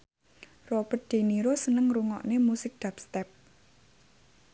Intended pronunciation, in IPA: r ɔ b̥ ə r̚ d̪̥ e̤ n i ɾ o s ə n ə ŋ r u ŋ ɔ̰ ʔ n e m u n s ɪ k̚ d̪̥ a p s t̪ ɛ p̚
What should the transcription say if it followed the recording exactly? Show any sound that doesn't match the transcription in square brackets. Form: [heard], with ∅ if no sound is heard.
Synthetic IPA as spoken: r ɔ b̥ ə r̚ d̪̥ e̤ n i ɾ o s ə n ə ŋ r u ŋ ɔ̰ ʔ n e m u [∅] s ɪ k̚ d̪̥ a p s t̪ ɛ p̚